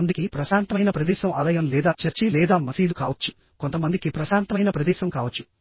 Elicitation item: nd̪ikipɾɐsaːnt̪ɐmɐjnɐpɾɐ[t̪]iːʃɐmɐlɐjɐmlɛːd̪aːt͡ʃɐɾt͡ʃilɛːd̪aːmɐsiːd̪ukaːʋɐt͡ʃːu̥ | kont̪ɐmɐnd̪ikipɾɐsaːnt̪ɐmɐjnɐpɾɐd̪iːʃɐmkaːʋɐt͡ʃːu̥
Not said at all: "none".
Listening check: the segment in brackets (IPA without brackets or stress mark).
d̪